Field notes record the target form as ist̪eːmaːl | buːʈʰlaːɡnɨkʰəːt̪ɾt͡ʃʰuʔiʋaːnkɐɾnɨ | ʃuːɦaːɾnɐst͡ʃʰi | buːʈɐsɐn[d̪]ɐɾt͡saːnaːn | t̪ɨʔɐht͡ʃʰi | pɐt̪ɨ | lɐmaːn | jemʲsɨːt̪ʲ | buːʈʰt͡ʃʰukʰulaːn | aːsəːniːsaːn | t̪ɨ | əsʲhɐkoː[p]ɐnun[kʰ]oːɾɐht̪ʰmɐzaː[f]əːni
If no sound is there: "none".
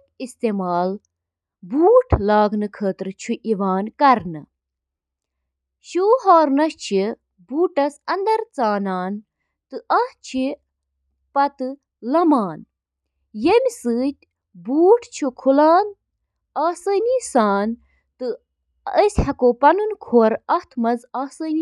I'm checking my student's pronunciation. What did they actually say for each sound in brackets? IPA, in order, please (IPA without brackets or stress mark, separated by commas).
d̪, p, kʰ, s